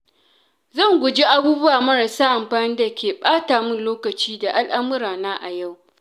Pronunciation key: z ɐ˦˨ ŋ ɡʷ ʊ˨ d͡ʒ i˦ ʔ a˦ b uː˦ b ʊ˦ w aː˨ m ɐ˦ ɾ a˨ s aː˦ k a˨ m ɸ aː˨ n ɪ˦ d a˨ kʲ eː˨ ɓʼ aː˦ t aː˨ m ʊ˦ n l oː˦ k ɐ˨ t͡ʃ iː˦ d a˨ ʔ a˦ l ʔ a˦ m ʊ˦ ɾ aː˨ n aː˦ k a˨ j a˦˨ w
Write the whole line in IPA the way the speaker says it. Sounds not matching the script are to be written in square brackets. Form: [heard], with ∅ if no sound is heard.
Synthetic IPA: z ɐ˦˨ ŋ ɡʷ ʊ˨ d͡ʒ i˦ ʔ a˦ b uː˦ b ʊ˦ w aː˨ m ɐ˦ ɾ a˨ s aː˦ [ʔ] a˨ m ɸ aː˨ n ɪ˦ d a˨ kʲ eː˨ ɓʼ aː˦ t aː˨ m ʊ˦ n l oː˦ k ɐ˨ t͡ʃ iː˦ d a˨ ʔ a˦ l ʔ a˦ m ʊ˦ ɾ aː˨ n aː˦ [ʔ] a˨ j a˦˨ w